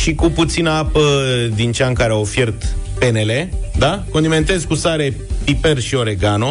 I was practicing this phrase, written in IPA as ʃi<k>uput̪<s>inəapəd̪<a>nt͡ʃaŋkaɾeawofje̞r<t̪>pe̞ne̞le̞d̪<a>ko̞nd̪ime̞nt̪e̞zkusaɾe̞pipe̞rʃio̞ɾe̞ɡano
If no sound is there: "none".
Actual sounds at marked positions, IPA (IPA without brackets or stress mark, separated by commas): k, s, i, t̪, a